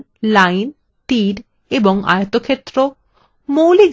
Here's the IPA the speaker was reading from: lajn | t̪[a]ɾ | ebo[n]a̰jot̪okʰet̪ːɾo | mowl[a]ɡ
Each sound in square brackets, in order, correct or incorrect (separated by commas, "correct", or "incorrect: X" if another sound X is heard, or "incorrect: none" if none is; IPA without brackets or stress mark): incorrect: i, incorrect: ŋ, incorrect: i